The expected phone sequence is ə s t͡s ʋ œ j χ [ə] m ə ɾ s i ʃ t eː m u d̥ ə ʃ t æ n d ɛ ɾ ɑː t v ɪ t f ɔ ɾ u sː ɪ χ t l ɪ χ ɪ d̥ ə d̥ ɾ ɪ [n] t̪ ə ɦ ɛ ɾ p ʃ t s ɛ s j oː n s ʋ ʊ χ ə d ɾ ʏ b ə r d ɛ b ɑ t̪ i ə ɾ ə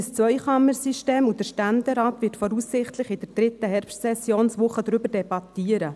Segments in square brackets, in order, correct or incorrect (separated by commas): incorrect, incorrect